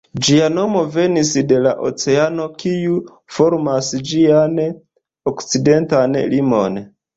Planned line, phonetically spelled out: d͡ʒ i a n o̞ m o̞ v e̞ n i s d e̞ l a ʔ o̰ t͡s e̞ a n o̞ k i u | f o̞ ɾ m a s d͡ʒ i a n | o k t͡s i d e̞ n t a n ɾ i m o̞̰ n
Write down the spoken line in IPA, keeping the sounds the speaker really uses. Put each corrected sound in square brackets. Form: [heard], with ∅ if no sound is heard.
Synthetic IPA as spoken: d͡ʒ i a n o̞ m o̞ v e̞ n i s d e̞ l a ʔ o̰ t͡s e̞ a n o̞ k i u | f o̞ ɾ m a s d͡ʒ i a n | o k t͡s i d e̞ n t a n [l] i m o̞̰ n